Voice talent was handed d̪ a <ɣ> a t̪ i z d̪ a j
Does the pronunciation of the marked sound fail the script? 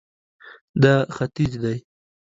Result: yes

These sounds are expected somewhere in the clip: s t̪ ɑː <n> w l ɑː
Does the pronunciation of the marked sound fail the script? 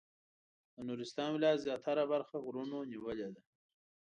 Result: no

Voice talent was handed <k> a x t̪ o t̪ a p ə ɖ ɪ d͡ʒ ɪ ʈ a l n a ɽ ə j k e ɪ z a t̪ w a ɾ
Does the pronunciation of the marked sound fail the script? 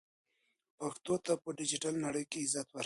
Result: yes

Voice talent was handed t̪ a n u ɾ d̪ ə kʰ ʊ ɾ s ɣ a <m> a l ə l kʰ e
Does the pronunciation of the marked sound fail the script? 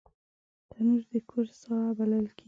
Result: yes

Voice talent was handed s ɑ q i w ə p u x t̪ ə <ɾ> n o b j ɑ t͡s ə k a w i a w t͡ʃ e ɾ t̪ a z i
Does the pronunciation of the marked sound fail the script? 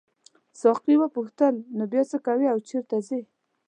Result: yes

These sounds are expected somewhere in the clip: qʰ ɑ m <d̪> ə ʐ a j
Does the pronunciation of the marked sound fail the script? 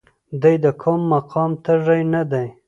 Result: yes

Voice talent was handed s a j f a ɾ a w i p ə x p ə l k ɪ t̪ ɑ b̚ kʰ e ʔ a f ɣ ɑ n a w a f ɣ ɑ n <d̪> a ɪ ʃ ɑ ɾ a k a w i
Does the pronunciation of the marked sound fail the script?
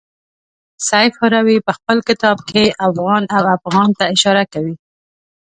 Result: yes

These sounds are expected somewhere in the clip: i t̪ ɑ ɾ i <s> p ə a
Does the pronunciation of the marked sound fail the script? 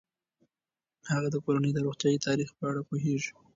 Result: yes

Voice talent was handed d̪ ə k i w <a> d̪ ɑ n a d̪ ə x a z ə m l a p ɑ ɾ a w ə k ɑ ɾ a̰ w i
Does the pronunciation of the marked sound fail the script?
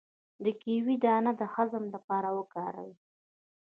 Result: yes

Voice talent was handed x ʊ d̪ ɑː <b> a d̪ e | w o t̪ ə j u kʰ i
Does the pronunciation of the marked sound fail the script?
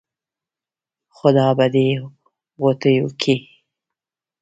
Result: no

